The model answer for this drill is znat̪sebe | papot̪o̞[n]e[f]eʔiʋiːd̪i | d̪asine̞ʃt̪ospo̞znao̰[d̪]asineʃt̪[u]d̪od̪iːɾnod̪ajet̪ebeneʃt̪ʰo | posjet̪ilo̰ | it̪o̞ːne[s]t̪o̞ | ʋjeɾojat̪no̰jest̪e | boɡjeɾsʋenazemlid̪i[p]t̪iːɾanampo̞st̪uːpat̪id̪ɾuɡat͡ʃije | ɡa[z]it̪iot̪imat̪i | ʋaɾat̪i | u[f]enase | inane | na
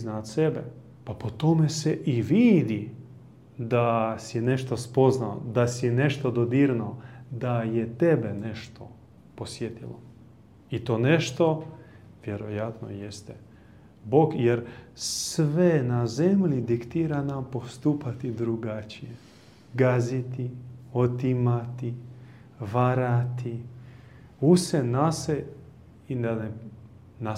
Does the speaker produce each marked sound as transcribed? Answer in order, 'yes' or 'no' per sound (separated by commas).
no, no, yes, no, no, no, yes, no